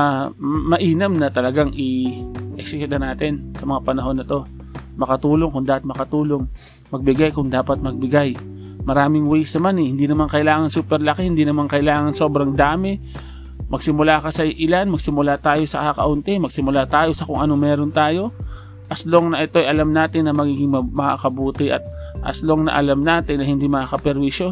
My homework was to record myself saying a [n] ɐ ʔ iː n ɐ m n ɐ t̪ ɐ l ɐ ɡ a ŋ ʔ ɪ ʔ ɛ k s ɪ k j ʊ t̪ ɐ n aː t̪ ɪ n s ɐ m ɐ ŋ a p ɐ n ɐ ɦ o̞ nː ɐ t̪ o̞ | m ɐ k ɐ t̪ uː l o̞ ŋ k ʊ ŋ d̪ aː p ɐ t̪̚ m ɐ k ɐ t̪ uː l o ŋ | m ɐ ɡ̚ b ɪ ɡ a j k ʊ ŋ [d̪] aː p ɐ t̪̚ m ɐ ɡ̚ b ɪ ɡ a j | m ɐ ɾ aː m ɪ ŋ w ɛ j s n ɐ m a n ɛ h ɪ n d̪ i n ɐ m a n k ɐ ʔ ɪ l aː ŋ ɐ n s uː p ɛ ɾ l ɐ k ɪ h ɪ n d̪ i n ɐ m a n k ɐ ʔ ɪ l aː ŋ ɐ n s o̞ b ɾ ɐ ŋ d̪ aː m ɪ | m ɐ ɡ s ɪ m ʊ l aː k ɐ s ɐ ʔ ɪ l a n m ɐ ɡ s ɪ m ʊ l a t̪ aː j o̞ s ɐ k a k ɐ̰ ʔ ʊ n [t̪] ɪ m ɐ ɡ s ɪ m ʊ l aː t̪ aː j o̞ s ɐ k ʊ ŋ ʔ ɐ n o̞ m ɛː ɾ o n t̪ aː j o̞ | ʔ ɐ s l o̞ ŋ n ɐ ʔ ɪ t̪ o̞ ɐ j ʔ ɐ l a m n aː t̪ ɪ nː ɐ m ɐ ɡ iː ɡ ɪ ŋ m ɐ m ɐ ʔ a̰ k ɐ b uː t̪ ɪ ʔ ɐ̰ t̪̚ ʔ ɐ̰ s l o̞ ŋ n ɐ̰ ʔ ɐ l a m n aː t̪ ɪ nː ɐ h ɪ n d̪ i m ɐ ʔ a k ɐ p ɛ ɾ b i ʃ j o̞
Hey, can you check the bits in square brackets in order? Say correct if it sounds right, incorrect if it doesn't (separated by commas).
incorrect, correct, correct